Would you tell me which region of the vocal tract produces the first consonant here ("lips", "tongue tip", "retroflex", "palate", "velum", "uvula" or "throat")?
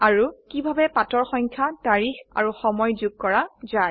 tongue tip